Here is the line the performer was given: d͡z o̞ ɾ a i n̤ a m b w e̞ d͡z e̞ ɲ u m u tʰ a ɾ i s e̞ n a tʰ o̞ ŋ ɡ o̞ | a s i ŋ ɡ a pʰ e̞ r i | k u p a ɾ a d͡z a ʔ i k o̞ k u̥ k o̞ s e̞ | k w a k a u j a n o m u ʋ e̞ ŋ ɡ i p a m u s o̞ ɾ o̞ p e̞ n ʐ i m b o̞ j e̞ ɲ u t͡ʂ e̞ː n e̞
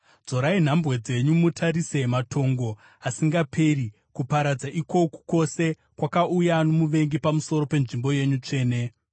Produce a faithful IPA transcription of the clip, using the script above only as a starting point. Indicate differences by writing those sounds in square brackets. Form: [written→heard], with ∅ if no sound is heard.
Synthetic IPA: d͡z o̞ ɾ a i n̤ a m b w e̞ d͡z e̞ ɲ u m u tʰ a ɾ i s e̞ [n→m] a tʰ o̞ ŋ ɡ o̞ | a s i ŋ ɡ a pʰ e̞ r i | k u p a ɾ a d͡z a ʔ i k o̞ k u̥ k o̞ s e̞ | k w a k a u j a n o m u ʋ e̞ ŋ ɡ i p a m u s o̞ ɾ o̞ p e̞ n ʐ i m b o̞ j e̞ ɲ u t͡ʂ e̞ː n e̞